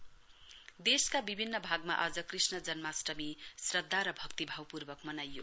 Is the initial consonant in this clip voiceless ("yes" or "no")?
no